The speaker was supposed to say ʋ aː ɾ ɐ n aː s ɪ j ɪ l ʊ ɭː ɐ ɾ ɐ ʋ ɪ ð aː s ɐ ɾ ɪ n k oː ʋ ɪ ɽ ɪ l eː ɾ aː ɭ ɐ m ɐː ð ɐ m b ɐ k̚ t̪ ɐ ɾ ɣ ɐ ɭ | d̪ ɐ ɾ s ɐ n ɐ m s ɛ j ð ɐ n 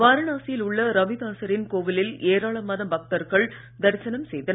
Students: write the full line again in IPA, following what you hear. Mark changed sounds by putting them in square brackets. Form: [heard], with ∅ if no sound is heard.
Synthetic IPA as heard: ʋ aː ɾ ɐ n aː s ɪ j ɪ l ʊ ɭː ɐ ɾ ɐ ʋ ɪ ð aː s ɐ ɾ ɪ n k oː ʋ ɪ [l] ɪ l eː ɾ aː ɭ ɐ m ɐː ð ɐ m b ɐ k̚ t̪ ɐ ɾ ɣ ɐ ɭ | d̪ ɐ ɾ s ɐ n ɐ m s ɛ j ð ɐ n